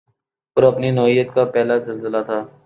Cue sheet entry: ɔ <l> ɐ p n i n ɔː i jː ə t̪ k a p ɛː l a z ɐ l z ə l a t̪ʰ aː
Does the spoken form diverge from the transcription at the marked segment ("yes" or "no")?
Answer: yes